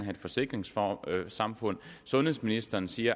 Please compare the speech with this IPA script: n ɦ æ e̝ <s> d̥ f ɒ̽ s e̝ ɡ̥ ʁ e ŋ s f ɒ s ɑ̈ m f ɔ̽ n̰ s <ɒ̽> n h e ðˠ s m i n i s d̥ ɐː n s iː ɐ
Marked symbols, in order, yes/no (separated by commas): no, no